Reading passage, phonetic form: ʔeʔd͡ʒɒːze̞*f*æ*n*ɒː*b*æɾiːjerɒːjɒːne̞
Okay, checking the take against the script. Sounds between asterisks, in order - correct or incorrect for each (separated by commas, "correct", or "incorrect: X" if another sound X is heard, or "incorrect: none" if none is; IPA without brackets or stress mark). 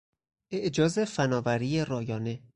correct, correct, incorrect: v